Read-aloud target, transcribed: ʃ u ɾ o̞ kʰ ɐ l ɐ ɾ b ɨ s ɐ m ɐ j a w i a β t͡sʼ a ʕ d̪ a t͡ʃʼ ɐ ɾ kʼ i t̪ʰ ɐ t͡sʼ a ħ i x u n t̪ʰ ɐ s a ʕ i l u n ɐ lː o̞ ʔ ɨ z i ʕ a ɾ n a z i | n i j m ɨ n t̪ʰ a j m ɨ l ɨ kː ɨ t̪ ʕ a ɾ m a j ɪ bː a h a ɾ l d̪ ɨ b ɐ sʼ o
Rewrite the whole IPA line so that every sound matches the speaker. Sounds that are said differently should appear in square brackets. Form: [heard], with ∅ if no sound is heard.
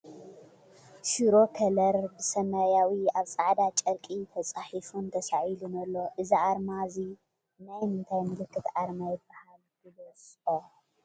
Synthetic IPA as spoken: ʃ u ɾ o̞ kʰ ɐ l ɐ ɾ b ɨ s ɐ m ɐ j a w i a β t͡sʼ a ʕ d̪ a t͡ʃʼ ɐ ɾ kʼ i t̪ʰ ɐ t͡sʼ a ħ i [f] u n t̪ʰ ɐ s a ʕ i l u n ɐ lː o̞ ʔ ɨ z i ʕ a ɾ [m] a z i | n [a] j m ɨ n t̪ʰ a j m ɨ l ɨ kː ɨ t̪ ʕ a ɾ m a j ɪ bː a h a [∅] l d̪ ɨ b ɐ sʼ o